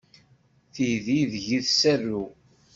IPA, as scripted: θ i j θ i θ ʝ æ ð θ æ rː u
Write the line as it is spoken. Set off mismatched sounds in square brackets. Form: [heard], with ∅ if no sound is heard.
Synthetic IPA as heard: θ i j [ð] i [ð] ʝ [i] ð [s] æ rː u

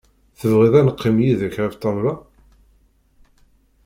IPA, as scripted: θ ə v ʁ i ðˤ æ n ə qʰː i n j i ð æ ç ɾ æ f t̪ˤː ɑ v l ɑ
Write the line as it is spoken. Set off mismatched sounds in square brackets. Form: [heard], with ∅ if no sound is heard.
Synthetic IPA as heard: θ ə v ʁ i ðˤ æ n ə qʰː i [m] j i ð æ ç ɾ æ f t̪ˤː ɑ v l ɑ

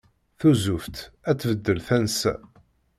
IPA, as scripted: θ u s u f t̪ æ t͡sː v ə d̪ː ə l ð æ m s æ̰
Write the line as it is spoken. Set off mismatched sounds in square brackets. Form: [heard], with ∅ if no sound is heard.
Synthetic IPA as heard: θ u [z] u f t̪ æ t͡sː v ə d̪ː ə l [θ] æ [n] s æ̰

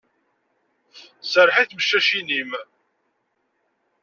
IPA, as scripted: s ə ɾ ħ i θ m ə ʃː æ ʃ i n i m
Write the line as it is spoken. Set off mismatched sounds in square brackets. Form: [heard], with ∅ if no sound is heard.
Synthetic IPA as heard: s ə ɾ ħ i θ m ə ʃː æ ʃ i n i m

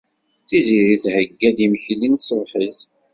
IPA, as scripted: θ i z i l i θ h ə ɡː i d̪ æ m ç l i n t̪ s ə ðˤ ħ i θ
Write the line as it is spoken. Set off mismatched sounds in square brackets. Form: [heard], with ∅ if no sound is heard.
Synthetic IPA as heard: θ i z i [ɾ] i θ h ə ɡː [æ] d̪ [i] m ç l i n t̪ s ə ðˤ ħ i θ

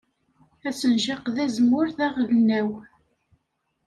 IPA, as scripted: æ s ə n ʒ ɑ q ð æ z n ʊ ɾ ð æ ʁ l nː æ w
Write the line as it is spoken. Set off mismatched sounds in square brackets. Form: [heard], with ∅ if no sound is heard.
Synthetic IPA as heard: æ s ə n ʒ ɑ q ð æ z [m] ʊ ɾ [θ] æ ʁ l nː æ w

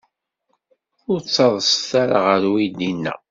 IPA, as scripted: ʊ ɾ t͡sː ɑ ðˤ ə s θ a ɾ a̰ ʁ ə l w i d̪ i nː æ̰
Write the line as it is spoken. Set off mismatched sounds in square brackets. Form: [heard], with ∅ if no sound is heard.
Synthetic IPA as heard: ʊ ɾ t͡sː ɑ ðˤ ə s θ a ɾ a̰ ʁ ə [ɾ] w i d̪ i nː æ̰

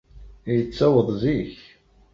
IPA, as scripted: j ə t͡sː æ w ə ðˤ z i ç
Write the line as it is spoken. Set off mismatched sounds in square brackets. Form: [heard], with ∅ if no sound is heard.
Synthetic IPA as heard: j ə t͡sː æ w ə ðˤ z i ç

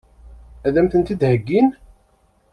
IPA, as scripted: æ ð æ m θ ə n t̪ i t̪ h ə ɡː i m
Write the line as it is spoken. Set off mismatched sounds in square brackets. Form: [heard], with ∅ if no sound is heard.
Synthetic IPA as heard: æ ð æ m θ ə n t̪ i [d̪] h ə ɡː i [n]

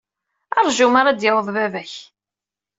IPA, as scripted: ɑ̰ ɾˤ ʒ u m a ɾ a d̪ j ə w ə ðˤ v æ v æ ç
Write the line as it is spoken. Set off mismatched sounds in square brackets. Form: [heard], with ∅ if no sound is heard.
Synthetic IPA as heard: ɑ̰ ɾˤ ʒ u m a ɾ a d̪ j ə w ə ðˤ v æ v æ ç

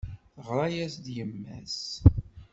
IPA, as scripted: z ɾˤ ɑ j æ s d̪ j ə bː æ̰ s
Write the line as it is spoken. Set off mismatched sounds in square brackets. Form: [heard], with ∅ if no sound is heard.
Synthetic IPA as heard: [ʁ] ɾˤ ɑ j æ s d̪ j ə [mː] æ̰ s

